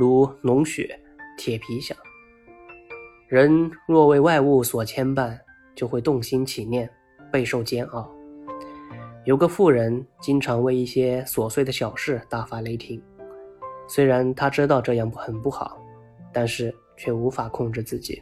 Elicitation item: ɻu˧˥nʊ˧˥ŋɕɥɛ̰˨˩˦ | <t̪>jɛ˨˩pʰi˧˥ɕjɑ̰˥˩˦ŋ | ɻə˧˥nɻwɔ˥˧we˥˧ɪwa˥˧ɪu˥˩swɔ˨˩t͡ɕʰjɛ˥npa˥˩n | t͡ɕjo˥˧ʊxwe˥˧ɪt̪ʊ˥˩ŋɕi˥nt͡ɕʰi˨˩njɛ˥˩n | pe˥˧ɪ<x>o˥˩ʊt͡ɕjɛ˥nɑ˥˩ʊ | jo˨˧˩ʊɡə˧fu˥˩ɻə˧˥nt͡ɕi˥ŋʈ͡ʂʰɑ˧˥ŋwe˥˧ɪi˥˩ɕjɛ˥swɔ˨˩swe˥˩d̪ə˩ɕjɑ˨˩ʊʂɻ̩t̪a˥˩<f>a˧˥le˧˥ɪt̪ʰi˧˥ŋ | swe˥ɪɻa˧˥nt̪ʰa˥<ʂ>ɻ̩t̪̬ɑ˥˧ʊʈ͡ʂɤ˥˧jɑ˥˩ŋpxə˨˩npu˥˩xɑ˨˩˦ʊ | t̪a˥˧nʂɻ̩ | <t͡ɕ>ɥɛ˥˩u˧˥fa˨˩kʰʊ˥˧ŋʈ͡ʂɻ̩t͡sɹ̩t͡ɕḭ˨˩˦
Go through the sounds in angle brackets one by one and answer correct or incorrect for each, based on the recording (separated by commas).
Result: incorrect, incorrect, correct, incorrect, incorrect